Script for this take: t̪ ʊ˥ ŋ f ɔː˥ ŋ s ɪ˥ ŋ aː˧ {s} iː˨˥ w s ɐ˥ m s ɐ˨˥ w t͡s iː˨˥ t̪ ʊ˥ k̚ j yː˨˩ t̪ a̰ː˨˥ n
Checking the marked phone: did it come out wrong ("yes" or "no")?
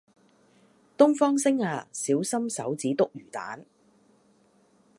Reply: no